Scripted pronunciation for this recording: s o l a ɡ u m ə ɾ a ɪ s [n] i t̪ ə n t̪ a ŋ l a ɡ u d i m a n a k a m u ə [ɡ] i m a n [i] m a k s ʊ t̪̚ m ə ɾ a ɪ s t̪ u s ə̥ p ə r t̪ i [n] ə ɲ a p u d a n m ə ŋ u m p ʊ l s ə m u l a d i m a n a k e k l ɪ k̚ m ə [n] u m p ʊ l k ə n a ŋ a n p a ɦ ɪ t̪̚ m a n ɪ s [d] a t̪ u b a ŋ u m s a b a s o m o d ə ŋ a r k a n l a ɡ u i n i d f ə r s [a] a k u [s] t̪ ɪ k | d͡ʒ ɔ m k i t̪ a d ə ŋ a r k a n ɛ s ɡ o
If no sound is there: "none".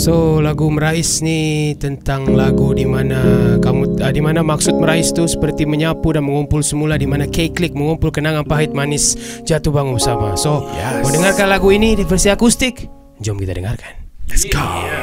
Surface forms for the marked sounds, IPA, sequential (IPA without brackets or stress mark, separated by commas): n, d, a, m, ŋ, d͡ʒ, i, s